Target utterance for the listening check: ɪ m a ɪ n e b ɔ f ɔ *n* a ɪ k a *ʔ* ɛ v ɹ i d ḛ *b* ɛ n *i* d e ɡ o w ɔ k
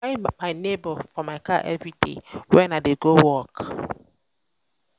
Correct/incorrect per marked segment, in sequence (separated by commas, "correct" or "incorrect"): incorrect, correct, incorrect, incorrect